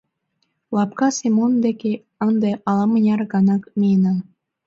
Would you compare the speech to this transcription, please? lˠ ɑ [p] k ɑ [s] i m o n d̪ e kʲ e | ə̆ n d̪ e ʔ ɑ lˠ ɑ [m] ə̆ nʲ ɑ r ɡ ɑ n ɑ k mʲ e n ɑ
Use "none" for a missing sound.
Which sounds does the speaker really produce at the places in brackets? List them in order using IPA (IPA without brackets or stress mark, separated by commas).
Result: p, s, m